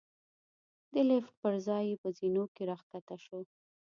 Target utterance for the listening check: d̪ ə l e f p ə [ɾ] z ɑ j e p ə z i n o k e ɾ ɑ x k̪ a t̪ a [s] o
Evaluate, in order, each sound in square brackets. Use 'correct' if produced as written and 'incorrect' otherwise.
correct, incorrect

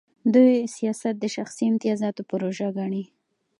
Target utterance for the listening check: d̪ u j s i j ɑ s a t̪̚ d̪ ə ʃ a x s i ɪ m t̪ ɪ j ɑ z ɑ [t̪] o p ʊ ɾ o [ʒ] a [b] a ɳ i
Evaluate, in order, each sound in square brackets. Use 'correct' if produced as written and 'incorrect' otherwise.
correct, correct, incorrect

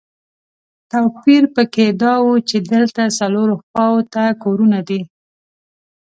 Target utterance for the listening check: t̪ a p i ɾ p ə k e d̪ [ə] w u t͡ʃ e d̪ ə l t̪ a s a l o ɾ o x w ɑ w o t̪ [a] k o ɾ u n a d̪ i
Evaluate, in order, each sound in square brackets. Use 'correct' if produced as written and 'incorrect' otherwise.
incorrect, correct

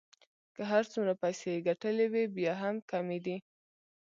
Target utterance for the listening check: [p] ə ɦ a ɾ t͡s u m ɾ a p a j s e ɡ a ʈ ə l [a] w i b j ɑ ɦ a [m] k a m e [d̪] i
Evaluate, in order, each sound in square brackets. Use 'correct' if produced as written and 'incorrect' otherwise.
incorrect, incorrect, correct, correct

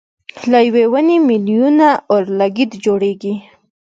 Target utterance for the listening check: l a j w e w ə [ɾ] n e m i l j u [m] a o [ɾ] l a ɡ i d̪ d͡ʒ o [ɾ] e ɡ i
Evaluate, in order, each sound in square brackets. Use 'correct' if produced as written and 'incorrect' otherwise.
incorrect, incorrect, correct, incorrect

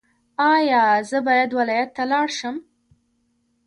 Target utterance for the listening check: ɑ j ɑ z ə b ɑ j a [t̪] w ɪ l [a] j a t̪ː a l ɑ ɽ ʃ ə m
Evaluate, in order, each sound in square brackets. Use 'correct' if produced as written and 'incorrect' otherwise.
incorrect, incorrect

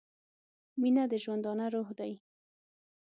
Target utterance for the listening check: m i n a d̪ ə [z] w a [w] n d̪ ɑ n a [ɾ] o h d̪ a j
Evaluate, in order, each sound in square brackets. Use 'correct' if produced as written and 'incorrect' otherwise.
incorrect, incorrect, correct

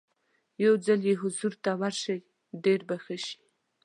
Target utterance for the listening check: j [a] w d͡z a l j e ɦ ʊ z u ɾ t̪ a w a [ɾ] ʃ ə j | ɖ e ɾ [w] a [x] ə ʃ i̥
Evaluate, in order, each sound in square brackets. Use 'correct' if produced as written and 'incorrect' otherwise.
correct, correct, incorrect, correct

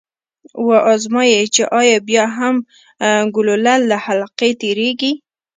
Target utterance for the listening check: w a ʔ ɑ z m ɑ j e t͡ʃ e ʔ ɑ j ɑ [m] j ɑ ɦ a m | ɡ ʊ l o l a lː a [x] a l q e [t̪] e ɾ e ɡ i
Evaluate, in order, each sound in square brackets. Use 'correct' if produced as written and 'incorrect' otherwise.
incorrect, incorrect, correct

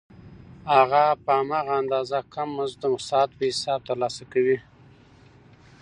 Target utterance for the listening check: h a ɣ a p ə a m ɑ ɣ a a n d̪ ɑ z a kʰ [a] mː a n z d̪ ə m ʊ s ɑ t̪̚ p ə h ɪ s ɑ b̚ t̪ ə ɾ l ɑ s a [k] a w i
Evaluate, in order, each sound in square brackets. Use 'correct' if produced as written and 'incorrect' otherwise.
correct, correct

